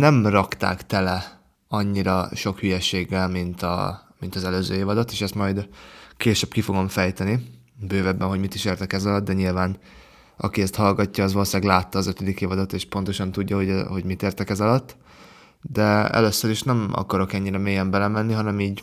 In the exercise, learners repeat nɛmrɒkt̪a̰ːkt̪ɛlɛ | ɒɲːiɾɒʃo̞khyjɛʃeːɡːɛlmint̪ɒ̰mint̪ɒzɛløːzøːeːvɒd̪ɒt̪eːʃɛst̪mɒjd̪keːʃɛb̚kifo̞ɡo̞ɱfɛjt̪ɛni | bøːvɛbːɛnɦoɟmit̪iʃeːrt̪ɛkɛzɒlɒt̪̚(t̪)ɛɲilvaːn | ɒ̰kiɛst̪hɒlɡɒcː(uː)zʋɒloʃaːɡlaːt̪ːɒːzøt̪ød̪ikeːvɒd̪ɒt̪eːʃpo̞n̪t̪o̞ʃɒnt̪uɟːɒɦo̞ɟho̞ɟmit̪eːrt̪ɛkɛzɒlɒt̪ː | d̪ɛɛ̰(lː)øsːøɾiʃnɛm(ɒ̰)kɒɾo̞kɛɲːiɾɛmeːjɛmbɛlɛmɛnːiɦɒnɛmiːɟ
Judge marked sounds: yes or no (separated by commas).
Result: no, no, no, yes